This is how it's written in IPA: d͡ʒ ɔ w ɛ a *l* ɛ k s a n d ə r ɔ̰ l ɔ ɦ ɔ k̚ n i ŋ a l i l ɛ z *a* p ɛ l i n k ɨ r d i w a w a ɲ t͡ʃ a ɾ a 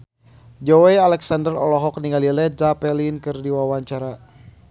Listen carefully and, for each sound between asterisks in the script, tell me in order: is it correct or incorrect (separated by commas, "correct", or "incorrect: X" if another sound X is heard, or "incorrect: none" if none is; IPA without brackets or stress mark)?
correct, correct